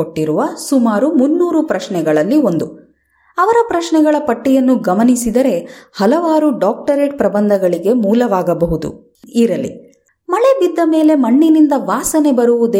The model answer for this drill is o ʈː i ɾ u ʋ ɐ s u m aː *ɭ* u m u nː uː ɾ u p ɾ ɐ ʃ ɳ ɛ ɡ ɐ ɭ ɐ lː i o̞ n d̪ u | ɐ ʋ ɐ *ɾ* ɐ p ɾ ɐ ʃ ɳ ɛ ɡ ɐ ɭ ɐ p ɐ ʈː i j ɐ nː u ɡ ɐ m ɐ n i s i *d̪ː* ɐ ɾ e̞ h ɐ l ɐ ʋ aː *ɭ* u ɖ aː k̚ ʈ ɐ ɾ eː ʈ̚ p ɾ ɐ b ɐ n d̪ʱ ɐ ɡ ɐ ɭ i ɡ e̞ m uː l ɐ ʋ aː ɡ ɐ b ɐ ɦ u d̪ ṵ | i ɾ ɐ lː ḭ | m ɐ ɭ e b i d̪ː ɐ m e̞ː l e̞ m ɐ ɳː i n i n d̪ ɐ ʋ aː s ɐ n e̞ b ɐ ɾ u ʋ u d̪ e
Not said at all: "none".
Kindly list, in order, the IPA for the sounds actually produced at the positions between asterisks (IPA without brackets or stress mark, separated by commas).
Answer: ɾ, ɾ, d̪, ɾ